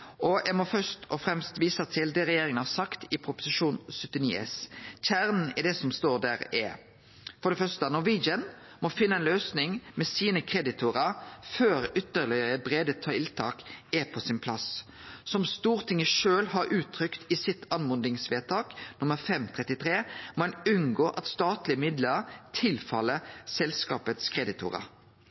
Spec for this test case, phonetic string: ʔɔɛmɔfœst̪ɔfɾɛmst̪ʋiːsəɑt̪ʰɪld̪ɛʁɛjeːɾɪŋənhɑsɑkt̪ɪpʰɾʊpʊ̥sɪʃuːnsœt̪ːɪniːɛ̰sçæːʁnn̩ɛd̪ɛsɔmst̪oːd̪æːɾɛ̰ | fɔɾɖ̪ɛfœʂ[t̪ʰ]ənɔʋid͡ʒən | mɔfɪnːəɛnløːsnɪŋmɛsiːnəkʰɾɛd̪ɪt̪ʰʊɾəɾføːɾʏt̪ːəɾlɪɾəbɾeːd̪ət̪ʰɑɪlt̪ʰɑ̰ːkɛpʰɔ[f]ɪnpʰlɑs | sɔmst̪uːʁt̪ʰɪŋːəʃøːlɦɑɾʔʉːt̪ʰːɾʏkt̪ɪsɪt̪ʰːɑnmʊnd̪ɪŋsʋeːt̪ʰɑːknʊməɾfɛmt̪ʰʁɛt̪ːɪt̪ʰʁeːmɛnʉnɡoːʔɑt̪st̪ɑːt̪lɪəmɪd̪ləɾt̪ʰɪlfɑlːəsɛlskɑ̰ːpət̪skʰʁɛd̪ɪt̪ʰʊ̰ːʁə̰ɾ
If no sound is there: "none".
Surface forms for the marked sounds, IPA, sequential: t̪, s

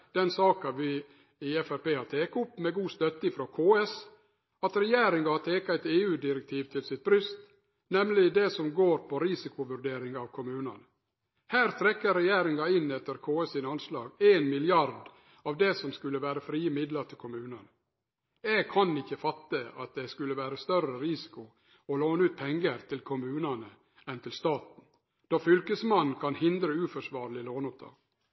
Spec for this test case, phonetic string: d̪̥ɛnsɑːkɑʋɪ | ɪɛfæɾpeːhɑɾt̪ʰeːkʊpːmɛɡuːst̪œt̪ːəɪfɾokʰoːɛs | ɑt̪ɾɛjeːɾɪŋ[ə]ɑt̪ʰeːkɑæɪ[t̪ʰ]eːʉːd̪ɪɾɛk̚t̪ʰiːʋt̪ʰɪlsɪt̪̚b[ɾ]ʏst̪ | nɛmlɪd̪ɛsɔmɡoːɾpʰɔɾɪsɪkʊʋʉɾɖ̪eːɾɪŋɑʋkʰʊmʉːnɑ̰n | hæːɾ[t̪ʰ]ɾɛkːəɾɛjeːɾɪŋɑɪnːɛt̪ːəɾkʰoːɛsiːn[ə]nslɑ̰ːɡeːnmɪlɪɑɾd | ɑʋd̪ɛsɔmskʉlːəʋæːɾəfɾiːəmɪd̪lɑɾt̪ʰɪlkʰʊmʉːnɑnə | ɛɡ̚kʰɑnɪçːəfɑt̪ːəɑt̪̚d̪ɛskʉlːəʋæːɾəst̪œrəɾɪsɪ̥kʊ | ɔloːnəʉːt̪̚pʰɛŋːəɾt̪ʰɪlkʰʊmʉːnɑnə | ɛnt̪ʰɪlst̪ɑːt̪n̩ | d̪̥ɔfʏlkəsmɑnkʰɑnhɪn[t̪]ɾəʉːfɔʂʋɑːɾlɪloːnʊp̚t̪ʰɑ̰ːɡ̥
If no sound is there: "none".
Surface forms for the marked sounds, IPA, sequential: ɑ, t̪, ɾ, t̪ʰ, ɑ, d̪

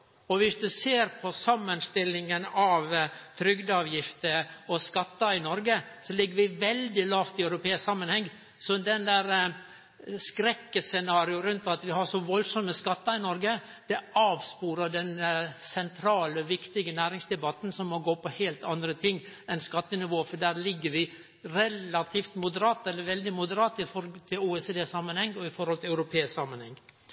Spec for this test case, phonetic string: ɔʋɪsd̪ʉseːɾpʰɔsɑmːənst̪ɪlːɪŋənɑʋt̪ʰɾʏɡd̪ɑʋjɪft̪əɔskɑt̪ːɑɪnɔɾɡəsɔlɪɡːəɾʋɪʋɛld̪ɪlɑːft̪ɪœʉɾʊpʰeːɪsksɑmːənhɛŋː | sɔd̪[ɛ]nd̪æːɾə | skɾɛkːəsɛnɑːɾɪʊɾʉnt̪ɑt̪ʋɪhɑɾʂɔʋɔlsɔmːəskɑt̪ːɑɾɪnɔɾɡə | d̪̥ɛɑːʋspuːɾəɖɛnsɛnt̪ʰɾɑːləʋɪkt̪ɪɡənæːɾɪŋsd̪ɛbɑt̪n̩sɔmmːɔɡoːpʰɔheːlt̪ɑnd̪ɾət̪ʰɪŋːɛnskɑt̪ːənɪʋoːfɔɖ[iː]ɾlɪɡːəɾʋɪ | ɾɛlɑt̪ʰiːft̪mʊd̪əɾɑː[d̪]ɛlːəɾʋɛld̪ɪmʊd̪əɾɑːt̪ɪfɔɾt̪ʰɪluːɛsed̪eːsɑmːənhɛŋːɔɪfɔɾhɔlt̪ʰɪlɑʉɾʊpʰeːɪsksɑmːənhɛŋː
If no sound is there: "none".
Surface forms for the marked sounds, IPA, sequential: ɛ, æː, t̪

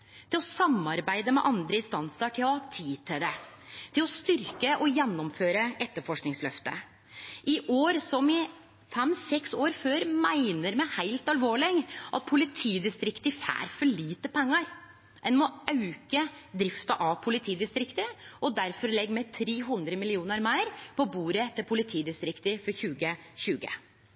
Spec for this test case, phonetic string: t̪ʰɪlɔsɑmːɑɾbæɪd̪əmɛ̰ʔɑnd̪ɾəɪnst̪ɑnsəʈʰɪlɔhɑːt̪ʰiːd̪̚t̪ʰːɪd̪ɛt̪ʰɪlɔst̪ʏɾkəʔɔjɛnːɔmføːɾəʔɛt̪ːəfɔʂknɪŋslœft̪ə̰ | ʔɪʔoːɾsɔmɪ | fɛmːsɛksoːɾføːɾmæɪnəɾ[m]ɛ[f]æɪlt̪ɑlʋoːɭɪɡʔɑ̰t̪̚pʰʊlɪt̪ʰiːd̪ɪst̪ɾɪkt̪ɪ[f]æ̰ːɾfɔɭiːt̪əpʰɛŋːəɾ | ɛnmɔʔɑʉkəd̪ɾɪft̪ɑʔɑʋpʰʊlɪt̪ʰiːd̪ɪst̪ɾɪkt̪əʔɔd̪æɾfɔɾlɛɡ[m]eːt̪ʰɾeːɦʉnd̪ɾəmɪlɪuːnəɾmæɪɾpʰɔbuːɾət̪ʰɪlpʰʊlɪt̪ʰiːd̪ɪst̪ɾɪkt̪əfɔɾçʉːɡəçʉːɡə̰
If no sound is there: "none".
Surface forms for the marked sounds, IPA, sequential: m, h, f, m

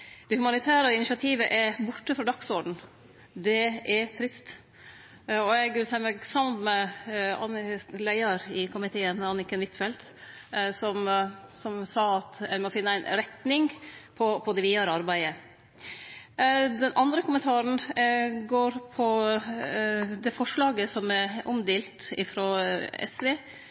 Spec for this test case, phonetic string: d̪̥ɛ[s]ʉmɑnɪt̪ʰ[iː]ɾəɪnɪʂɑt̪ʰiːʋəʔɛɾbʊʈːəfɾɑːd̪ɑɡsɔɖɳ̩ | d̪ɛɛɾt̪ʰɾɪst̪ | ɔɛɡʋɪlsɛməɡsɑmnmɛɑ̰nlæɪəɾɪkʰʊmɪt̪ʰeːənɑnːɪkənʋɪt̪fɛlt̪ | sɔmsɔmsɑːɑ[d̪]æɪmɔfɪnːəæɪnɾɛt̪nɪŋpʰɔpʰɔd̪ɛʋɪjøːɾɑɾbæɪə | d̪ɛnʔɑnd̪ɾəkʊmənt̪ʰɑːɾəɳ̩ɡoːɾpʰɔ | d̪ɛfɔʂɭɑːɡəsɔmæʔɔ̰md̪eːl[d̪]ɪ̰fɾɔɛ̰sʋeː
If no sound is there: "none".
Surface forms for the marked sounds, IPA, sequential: h, æː, t̪, t̪

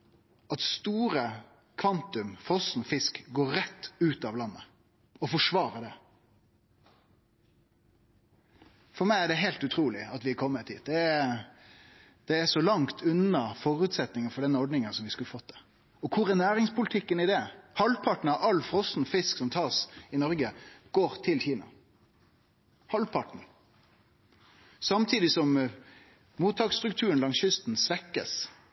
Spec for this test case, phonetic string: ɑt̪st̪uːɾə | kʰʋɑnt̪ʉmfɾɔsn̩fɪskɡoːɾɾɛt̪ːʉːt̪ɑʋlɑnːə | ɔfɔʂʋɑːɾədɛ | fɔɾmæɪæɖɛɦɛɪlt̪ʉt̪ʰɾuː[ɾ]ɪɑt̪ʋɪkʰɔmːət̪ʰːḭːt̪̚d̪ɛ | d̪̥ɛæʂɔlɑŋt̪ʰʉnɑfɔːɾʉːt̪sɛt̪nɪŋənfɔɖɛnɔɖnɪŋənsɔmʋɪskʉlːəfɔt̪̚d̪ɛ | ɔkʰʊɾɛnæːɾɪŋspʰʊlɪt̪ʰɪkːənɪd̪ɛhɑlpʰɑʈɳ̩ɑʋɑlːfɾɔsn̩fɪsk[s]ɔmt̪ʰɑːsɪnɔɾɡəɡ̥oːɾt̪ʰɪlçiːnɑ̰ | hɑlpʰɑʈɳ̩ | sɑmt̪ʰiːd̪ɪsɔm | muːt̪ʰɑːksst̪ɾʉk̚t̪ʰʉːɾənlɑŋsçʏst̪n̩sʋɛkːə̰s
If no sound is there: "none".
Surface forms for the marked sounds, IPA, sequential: l, s

